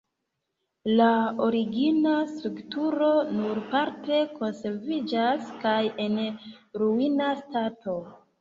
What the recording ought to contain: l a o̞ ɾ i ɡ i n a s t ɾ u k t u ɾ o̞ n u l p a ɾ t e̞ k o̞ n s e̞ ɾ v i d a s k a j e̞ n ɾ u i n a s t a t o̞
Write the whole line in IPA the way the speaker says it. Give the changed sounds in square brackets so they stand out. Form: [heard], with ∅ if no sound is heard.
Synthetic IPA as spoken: l a o̞ ɾ i ɡ i n a s t ɾ u k t u ɾ o̞ n u [ɾ] p a ɾ t e̞ k o̞ n s e̞ ɾ v i [d͡ʒ] a s k a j e̞ n ɾ u i n a s t a t o̞